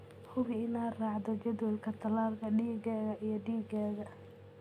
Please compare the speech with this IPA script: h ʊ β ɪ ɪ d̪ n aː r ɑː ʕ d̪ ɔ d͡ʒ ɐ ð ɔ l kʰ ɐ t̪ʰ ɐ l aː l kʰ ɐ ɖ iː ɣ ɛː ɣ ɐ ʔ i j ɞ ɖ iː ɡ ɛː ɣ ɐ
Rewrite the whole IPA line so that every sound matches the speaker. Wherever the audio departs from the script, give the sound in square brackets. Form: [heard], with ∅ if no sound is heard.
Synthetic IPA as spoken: h ʊ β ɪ ɪ [∅] n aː r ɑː ʕ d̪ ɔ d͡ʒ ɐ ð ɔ l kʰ ɐ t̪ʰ ɐ l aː l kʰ ɐ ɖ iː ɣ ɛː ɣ ɐ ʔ i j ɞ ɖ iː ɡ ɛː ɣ ɐ

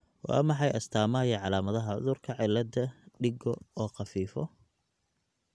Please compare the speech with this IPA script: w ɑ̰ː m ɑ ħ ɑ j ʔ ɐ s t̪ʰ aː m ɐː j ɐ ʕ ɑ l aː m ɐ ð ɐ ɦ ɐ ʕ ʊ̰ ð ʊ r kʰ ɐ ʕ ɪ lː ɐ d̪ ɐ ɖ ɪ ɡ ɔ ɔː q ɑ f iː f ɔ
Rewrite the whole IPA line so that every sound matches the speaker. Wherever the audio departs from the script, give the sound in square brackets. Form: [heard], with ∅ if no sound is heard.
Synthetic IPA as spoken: w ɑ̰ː m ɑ ħ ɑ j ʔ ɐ s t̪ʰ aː m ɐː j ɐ ʕ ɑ l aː m ɐ ð ɐ ɦ ɐ ʕ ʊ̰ ð ʊ r kʰ ɐ ʕ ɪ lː ɐ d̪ ɐ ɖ ɪ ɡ ɔ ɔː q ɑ f iː f ɔ

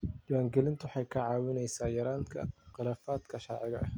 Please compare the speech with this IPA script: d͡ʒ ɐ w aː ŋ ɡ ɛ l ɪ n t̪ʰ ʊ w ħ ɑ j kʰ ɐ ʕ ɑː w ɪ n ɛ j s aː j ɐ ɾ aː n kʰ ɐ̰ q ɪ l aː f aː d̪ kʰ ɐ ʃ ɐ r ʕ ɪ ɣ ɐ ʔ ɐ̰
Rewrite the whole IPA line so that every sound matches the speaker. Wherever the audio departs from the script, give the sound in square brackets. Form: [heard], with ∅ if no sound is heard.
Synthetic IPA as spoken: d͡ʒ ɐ w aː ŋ ɡ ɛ l ɪ n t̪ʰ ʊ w ħ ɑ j kʰ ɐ ʕ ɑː w ɪ n ɛ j s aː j ɐ ɾ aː n kʰ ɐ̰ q ɪ l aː f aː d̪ kʰ ɐ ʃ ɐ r ʕ ɪ ɣ ɐ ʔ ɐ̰

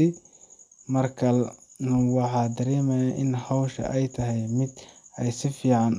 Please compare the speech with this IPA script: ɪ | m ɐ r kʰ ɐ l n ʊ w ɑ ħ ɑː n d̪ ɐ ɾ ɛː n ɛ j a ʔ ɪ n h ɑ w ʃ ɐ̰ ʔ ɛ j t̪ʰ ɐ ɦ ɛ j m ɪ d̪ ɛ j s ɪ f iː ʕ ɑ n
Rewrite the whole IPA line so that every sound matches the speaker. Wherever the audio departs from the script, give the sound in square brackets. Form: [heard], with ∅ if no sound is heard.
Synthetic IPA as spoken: ɪ | m ɐ r kʰ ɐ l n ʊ w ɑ ħ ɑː [∅] d̪ ɐ ɾ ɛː [m] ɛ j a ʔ ɪ n h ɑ w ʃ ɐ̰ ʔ ɛ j t̪ʰ ɐ ɦ ɛ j m ɪ d̪ ɛ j s ɪ f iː ʕ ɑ n

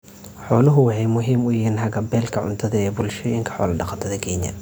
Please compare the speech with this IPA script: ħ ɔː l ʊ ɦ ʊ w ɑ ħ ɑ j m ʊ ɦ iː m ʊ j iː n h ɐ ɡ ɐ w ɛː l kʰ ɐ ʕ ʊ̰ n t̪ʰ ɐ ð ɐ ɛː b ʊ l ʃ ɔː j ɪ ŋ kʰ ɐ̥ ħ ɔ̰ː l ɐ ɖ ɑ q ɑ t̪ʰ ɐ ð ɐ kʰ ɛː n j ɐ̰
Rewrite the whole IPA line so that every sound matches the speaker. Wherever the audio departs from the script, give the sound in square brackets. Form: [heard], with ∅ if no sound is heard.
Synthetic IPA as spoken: ħ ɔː l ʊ ɦ ʊ w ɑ ħ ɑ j m ʊ ɦ iː m ʊ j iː n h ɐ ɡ ɐ [b] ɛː l kʰ ɐ ʕ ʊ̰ n t̪ʰ ɐ ð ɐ ɛː b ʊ l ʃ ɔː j ɪ ŋ kʰ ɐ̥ ħ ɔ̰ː l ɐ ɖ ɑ q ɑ t̪ʰ ɐ ð ɐ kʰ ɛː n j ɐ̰

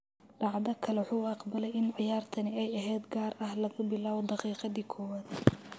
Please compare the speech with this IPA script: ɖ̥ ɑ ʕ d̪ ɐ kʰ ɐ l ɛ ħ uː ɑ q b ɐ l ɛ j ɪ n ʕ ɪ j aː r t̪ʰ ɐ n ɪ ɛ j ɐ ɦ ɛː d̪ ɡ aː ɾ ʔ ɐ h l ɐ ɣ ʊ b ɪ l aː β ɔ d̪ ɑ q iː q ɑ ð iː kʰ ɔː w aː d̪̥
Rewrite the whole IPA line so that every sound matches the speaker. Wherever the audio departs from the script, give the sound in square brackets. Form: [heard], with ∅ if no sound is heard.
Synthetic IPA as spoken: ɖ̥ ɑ ʕ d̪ ɐ kʰ ɐ l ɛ ħ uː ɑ q b ɐ l ɛ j ɪ n ʕ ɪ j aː r t̪ʰ ɐ n ɪ ɛ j ɐ ɦ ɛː d̪ ɡ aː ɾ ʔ ɐ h l ɐ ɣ ʊ b ɪ l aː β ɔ d̪ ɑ q iː q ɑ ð iː kʰ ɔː w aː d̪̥

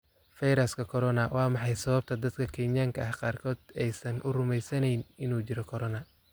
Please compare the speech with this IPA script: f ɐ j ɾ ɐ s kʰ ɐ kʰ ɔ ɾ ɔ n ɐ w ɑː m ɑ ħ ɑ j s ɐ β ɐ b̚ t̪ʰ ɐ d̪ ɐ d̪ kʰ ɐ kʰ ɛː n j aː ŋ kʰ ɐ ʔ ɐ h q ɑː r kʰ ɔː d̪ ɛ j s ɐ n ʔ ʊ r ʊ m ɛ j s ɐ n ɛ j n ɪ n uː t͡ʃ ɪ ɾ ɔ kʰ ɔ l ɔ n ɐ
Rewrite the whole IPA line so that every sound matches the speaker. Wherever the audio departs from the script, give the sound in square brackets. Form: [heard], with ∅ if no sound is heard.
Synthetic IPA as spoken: f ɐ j ɾ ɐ s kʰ ɐ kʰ ɔ ɾ ɔ n ɐ w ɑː m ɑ ħ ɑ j s ɐ β ɐ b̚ t̪ʰ ɐ d̪ ɐ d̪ kʰ ɐ kʰ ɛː n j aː ŋ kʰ ɐ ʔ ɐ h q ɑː r kʰ ɔː d̪ ɛ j s ɐ n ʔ ʊ r ʊ m ɛ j s ɐ n ɛ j n ɪ n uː t͡ʃ ɪ ɾ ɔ kʰ ɔ [ɾ] ɔ n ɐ

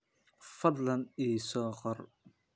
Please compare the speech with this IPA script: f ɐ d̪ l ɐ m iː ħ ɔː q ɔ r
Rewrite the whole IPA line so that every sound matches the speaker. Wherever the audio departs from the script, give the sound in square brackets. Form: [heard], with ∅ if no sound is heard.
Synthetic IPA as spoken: f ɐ d̪ l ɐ [n] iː [s] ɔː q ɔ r

